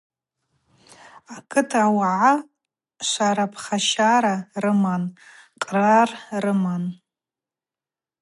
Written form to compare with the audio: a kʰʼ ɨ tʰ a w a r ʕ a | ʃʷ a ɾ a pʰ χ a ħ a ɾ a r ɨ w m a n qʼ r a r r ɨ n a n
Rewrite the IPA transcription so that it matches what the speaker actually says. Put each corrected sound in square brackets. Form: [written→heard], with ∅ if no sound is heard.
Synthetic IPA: a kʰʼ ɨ tʰ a w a [r→∅] ʕ a | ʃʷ a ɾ a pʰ χ a [ħ→ʃ] a ɾ a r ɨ [w→∅] m a n qʼ r a r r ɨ [n→m] a n